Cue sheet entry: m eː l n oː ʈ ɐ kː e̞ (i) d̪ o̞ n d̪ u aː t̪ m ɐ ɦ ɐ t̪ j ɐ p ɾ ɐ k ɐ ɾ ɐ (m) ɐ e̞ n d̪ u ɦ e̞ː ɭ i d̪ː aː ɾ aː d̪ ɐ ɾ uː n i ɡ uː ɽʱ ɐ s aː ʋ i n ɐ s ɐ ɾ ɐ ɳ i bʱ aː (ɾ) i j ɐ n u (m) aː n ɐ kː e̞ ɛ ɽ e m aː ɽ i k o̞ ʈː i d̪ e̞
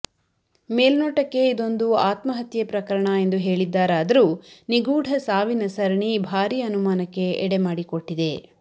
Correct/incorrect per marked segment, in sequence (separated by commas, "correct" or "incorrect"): correct, incorrect, correct, correct